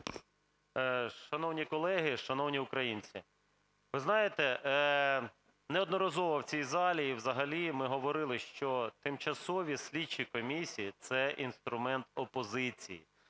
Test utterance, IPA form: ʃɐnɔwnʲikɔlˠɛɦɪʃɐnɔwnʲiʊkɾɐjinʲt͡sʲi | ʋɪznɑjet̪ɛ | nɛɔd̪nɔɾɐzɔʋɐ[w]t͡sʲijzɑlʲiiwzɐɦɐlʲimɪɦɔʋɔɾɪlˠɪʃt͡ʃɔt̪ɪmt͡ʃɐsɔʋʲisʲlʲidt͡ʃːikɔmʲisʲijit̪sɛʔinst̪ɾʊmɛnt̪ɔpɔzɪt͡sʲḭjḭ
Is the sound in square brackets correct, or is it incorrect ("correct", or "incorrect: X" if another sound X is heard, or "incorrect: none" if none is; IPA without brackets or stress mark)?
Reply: correct